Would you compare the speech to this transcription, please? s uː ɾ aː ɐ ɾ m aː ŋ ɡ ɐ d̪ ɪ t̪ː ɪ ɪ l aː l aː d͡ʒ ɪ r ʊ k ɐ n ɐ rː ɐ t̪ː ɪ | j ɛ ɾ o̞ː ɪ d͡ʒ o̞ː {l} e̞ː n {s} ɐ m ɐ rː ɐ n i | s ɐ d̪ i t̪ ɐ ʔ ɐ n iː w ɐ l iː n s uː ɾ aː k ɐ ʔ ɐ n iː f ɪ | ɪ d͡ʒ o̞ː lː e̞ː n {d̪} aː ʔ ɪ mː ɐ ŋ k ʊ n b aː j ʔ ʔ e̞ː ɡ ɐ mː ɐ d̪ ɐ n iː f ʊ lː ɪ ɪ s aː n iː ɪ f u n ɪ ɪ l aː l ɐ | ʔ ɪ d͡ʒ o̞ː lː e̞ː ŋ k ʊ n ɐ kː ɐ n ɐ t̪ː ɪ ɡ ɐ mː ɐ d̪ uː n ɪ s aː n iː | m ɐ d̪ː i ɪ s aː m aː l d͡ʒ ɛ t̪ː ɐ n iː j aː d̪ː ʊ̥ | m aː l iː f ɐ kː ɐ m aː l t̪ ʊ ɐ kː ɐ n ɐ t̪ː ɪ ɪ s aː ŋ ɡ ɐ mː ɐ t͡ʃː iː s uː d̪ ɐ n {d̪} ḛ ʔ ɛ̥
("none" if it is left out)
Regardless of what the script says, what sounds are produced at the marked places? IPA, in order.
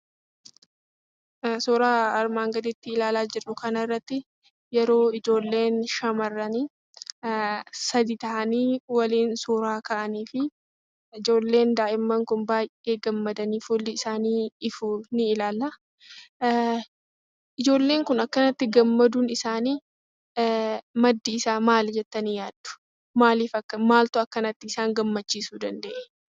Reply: lː, ʃ, d̪, d̪

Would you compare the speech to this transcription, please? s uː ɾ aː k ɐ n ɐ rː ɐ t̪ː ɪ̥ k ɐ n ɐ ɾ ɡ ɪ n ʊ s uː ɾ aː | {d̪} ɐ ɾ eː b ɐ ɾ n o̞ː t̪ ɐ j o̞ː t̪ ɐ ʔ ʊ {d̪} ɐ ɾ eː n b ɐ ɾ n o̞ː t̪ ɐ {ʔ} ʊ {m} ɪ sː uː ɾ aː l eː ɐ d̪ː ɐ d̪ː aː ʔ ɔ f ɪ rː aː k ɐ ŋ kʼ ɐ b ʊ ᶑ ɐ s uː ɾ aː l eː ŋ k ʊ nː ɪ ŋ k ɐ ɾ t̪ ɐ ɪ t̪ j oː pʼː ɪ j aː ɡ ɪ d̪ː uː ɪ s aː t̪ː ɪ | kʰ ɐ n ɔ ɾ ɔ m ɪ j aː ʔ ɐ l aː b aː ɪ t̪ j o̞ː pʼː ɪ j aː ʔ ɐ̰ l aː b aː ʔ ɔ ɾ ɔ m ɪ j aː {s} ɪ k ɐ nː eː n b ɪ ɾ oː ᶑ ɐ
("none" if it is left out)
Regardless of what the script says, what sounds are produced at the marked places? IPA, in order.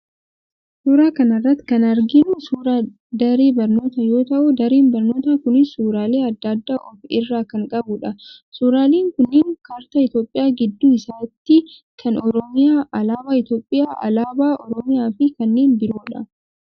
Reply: d̪, d̪, k, n, f

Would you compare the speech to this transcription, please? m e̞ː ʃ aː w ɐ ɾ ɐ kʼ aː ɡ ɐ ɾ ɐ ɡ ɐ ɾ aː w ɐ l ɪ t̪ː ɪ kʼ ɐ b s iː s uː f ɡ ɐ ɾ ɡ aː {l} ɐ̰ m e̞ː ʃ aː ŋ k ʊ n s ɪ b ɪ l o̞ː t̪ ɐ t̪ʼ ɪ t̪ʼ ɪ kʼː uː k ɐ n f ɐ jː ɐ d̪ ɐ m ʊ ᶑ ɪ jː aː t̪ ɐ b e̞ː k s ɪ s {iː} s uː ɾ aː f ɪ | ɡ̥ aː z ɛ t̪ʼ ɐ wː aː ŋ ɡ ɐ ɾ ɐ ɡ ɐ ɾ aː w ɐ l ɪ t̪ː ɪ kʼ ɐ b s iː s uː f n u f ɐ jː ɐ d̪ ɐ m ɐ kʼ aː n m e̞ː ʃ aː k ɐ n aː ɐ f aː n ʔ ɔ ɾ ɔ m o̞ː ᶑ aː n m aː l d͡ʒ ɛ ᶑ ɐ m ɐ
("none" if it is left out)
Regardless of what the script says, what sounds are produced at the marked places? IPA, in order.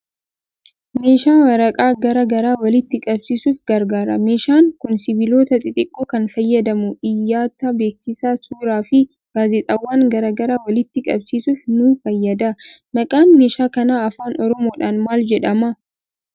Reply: ɾ, aː

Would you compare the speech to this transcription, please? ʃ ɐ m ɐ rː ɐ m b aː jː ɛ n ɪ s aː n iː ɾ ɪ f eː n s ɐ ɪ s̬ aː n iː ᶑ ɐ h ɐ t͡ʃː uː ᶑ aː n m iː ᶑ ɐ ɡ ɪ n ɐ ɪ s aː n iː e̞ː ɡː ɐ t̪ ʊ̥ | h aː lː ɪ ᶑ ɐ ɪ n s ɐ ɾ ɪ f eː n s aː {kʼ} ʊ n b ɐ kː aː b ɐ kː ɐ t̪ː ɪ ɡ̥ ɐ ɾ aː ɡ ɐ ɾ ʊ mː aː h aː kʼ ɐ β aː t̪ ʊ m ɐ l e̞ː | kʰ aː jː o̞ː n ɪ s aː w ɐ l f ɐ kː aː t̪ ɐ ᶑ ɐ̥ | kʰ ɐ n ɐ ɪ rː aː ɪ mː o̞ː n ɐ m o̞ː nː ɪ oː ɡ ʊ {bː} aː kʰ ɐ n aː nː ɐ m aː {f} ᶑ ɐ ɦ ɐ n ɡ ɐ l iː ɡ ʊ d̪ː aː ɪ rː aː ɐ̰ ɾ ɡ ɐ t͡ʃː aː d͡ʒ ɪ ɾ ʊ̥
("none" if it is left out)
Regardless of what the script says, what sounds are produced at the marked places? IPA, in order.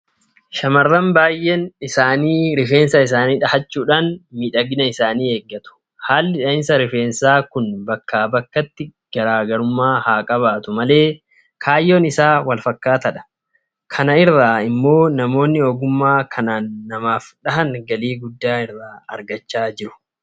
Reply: k, mː, f

